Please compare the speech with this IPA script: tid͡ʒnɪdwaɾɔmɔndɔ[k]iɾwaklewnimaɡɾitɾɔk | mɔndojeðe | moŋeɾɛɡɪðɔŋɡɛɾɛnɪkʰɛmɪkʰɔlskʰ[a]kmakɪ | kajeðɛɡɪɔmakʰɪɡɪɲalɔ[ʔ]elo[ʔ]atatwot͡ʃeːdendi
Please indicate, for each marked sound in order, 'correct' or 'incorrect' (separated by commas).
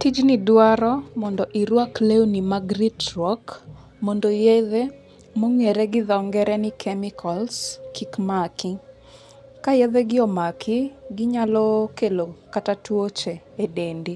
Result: incorrect, incorrect, incorrect, incorrect